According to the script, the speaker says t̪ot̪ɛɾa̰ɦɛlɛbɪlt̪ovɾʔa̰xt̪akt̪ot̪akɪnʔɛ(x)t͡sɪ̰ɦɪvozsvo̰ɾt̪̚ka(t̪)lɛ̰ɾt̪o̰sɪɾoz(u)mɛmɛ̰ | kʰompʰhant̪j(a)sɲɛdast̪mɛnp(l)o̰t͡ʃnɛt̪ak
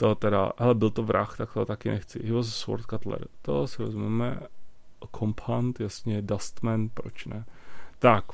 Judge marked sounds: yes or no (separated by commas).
yes, yes, yes, yes, no